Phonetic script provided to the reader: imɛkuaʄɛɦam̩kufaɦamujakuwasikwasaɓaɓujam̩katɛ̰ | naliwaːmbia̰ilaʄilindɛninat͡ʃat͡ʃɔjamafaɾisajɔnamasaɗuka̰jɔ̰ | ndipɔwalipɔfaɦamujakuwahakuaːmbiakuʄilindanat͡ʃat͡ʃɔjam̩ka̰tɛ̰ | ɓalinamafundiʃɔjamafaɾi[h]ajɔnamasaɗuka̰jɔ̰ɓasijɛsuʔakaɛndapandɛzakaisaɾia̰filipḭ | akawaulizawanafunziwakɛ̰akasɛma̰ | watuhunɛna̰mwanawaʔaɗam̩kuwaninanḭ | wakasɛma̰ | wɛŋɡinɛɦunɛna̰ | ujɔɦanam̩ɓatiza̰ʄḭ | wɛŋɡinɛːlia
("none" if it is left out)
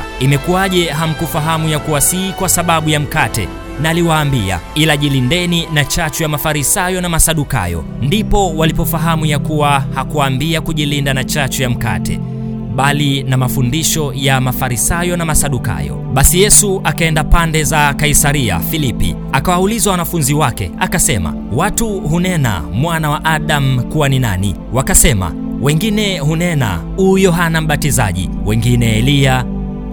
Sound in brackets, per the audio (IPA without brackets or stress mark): s